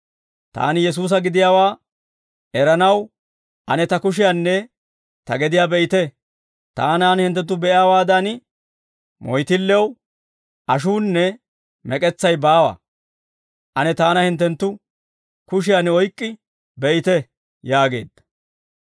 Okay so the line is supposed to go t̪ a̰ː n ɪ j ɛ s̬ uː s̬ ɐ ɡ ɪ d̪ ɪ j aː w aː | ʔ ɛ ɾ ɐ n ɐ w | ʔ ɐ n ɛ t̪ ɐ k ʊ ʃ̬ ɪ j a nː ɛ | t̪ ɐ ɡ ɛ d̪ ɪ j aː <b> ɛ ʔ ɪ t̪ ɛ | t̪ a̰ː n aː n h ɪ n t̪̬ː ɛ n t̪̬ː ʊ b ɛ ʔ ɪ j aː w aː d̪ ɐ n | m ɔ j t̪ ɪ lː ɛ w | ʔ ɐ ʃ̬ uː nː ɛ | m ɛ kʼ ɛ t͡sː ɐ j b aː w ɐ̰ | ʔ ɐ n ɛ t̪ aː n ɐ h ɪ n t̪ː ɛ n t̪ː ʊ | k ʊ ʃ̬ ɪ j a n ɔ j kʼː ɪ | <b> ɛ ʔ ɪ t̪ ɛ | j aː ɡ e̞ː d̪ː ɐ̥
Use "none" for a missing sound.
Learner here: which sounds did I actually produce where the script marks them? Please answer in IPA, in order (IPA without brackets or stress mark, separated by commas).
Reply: b, b